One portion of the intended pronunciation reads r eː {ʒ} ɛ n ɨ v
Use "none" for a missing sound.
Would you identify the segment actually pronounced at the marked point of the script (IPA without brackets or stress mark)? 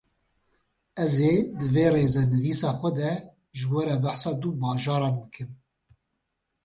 z